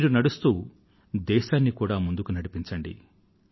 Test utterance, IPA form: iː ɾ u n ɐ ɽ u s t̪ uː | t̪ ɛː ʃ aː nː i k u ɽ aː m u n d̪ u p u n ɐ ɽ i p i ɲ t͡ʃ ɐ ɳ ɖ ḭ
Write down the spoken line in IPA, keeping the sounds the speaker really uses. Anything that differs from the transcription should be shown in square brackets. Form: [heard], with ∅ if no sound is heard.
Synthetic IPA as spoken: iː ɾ u n ɐ ɽ u s t̪ uː | [d̪] ɛː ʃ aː nː i k [uː] ɽ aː m u n d̪ u [k] u n ɐ ɽ i p i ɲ t͡ʃ ɐ ɳ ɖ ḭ